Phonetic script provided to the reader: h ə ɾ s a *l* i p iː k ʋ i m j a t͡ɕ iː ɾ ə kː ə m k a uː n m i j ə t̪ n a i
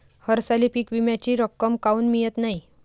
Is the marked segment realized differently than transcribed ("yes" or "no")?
no